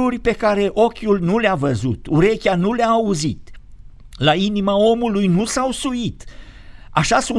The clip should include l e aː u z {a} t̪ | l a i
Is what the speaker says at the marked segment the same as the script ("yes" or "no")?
no